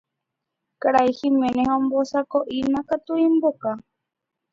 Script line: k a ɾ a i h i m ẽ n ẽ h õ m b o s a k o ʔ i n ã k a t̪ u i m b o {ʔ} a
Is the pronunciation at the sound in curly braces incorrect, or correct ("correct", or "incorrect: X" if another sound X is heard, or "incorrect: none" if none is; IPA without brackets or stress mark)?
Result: incorrect: k